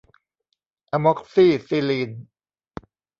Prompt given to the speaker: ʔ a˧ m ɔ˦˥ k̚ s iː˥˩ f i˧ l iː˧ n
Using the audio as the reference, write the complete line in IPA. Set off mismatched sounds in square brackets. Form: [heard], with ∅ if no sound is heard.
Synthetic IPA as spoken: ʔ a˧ m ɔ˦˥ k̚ s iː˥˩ [s] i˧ l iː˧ n